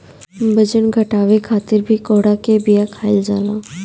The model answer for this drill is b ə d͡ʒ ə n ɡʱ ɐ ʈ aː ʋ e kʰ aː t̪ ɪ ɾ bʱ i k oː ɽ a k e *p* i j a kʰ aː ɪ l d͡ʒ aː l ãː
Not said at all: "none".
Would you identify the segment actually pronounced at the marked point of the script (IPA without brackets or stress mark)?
b